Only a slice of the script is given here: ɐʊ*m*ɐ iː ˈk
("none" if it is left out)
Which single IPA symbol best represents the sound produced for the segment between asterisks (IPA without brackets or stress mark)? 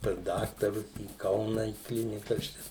n